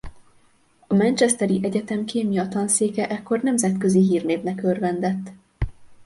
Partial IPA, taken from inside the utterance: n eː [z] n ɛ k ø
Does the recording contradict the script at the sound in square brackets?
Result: yes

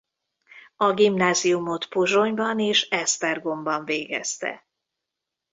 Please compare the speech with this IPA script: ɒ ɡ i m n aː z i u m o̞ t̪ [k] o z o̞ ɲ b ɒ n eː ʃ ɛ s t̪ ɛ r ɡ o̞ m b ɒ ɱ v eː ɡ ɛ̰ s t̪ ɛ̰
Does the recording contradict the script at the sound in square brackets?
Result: yes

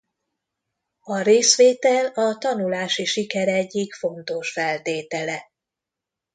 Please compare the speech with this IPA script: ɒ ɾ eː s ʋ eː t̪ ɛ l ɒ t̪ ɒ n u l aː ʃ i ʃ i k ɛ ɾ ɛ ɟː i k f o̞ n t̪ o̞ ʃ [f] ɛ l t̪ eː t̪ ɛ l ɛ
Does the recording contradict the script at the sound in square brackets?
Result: no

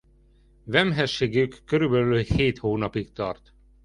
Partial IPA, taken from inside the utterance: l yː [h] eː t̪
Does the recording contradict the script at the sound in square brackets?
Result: no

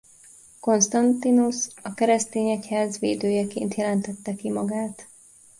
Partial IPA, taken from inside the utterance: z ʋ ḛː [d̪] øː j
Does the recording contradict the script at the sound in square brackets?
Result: no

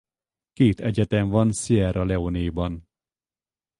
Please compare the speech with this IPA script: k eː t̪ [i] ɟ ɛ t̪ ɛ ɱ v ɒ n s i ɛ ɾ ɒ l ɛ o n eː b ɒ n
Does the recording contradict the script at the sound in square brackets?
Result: yes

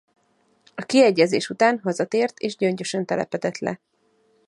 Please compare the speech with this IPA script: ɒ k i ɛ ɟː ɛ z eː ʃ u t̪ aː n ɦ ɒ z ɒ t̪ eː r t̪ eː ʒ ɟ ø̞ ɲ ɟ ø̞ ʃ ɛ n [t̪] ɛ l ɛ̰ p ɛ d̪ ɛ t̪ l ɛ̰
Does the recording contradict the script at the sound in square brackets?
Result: no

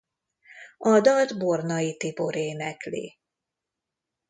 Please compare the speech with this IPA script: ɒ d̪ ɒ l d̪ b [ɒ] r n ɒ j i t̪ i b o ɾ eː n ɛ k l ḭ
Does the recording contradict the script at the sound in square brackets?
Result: yes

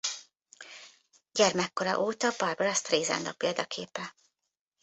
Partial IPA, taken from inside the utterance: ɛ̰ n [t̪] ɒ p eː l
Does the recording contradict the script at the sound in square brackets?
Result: yes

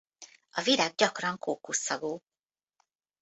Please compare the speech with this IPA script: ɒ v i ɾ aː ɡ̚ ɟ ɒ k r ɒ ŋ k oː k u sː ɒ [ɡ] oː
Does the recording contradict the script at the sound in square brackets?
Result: no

